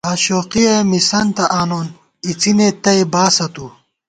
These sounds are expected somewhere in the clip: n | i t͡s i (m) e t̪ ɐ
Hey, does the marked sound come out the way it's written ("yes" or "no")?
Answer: no